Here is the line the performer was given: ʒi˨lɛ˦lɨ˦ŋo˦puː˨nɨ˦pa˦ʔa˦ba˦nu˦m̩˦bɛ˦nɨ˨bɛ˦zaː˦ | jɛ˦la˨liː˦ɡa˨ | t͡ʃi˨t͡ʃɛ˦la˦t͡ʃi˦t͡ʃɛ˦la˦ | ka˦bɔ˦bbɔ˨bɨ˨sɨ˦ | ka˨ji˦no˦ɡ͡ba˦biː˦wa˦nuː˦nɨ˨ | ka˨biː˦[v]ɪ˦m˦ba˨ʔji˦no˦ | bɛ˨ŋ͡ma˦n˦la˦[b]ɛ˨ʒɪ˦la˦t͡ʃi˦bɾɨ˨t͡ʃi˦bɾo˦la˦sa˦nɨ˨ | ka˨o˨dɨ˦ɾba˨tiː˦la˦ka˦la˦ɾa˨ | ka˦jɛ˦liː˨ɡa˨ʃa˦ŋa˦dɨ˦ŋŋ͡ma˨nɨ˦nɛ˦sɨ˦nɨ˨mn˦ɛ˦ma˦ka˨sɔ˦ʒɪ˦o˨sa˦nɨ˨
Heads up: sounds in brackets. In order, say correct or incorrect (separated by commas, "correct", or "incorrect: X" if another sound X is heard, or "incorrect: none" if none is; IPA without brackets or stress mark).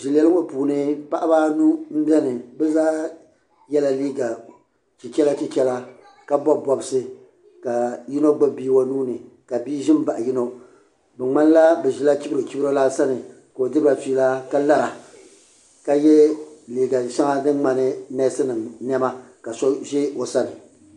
incorrect: ʒ, correct